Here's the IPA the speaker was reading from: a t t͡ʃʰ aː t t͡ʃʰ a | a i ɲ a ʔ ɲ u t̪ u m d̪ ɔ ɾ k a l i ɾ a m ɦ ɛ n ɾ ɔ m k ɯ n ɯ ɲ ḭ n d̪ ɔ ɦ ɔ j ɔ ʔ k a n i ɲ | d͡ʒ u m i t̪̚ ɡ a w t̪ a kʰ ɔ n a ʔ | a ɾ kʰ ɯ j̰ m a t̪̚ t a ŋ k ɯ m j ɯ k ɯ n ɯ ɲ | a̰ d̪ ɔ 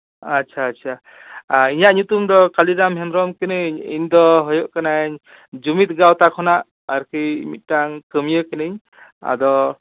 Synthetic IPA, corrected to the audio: a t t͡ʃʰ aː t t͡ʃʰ a | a i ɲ a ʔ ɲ u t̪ u m d̪ ɔ k a l i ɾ a m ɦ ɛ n ɾ ɔ m k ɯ n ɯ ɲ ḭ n d̪ ɔ ɦ ɔ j ɔ ʔ k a n a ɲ | d͡ʒ u m i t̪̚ ɡ a w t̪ a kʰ ɔ n a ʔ | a ɾ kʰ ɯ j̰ m i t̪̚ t a ŋ k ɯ m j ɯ k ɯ n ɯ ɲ | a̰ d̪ ɔ

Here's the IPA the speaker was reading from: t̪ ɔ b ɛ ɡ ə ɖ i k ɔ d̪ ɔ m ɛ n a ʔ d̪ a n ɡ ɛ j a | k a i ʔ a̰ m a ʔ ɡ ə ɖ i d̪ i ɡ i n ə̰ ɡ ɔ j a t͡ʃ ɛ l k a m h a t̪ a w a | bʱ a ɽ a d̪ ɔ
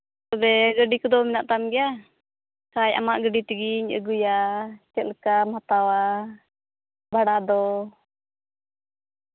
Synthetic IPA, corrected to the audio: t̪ ɔ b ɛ ɡ ə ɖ i k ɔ d̪ ɔ m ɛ n a ʔ t̪ a m ɡ ɛ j a | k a j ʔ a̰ m a ʔ ɡ ə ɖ i t̪ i ɡ i ɲ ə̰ ɡ u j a t͡ʃ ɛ l k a m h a t̪ a w a | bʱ a ɽ a d̪ ɔ

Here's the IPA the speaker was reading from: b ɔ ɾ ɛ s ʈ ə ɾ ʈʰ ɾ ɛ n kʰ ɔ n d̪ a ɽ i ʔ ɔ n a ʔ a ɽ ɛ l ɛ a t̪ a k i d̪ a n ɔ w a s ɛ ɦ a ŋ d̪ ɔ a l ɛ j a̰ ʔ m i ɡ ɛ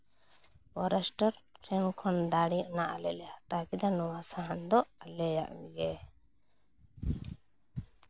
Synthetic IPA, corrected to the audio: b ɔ ɾ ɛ s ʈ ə ɾ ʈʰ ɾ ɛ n kʰ ɔ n d̪ a ɽ i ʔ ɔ n a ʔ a l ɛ l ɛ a t̪ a k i d̪ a n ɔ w a s a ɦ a n d̪ ɔ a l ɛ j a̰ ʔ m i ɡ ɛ

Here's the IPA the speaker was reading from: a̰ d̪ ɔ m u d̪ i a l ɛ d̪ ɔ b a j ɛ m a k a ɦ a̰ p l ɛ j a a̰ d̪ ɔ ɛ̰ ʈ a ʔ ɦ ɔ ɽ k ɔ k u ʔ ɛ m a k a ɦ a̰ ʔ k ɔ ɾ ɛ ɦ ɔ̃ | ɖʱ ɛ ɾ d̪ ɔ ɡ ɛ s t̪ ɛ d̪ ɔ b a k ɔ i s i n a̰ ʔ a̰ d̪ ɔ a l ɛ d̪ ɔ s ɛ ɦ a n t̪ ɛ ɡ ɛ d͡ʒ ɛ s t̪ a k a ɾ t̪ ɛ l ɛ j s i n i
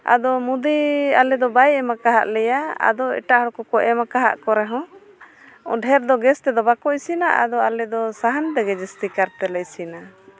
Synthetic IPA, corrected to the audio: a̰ d̪ ɔ m u d̪ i a l ɛ d̪ ɔ b a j ɛ m a k a ɦ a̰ ʔ l ɛ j a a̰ d̪ ɔ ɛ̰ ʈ a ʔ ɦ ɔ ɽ k ɔ k ɔ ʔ ɛ m a k a ɦ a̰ ʔ k ɔ ɾ ɛ ɦ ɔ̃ | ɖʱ ɛ ɾ d̪ ɔ ɡ ɛ s t̪ ɛ d̪ ɔ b a k ɔ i s i n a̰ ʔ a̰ d̪ ɔ a l ɛ d̪ ɔ s a ɦ a n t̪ ɛ ɡ ɛ d͡ʒ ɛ s t̪ i k a ɾ t̪ ɛ l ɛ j s i n a

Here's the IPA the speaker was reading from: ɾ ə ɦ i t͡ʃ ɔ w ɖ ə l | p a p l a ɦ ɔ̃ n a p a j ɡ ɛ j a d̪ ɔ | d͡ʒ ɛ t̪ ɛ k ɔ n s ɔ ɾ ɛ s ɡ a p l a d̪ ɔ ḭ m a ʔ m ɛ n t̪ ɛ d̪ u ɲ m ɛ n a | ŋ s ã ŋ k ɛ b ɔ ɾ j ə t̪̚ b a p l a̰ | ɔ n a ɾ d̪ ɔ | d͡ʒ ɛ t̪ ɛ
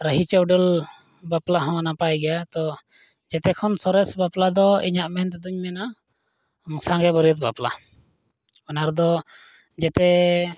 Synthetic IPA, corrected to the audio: ɾ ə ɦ i t͡ʃ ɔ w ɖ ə l | b a p l a ɦ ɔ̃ n a p a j ɡ ɛ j a t̪ ɔ | d͡ʒ ɛ t̪ ɛ kʰ ɔ n s ɔ ɾ ɛ s b a p l a d̪ ɔ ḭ ɲ a ʔ m ɛ n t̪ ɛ d̪ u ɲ m ɛ n a | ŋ s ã ŋ ɡ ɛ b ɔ ɾ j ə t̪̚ b a p l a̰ | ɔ n a ɾ d̪ ɔ | d͡ʒ ɛ t̪ ɛ

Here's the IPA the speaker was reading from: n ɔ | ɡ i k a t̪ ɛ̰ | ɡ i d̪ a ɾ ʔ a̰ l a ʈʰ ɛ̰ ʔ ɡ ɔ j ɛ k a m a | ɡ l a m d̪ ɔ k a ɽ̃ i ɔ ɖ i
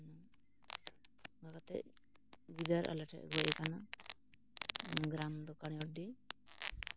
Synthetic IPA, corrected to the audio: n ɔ | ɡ a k a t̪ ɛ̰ | ɡ i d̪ a ɾ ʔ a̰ l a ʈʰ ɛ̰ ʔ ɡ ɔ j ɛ k a n a | ɡ ɾ a m d̪ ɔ k a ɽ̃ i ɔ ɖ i

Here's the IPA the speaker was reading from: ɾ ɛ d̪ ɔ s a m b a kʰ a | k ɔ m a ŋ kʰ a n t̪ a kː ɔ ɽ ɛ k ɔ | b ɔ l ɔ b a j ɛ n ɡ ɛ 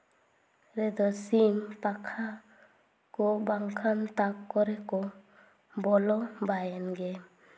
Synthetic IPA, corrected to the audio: ɾ ɛ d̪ ɔ s i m p a kʰ a | k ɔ b a ŋ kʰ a n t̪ a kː ɔ ɾ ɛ k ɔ | b ɔ l ɔ b a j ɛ n ɡ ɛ

